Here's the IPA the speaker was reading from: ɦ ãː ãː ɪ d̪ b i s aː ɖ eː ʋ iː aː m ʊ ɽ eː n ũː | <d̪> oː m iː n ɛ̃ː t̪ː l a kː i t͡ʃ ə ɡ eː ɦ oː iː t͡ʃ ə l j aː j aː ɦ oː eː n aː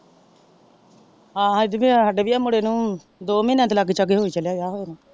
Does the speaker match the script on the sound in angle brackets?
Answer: yes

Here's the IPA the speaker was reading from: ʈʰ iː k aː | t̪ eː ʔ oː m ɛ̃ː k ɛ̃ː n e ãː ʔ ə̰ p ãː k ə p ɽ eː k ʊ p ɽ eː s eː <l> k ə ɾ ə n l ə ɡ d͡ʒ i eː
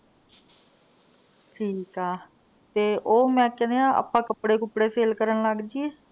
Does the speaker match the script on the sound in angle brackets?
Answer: yes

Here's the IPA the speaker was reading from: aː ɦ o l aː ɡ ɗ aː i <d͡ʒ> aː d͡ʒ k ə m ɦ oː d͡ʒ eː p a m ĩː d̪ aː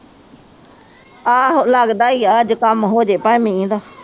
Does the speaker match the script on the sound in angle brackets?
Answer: no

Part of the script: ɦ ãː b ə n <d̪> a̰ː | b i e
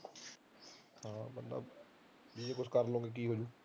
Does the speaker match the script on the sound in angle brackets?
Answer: yes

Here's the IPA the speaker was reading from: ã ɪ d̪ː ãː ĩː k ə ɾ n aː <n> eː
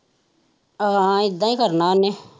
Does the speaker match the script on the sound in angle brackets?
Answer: yes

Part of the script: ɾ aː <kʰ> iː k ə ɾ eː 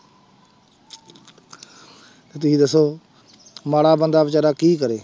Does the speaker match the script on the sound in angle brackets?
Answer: no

